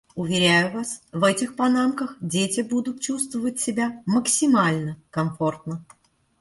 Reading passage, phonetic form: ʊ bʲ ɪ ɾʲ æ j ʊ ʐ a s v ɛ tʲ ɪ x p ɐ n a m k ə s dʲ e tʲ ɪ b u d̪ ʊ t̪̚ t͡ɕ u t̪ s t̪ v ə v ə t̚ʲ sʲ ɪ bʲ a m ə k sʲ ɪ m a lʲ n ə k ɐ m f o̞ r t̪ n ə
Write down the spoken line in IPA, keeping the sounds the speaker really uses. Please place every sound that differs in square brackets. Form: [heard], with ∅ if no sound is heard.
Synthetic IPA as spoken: ʊ [vʲ] ɪ ɾʲ æ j ʊ [v] a s v ɛ tʲ ɪ x p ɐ n a m k ə [x] dʲ e tʲ ɪ b u d̪ ʊ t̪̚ t͡ɕ u [∅] s t̪ v ə v ə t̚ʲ sʲ ɪ bʲ a m ə k sʲ ɪ m a lʲ n ə k ɐ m f o̞ r t̪ n ə

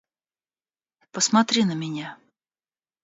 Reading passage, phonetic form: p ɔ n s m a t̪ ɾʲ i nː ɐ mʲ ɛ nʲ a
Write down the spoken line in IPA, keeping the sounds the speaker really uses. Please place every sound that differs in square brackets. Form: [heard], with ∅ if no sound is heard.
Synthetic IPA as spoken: p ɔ [∅] s m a t̪ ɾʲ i [n] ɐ mʲ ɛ nʲ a

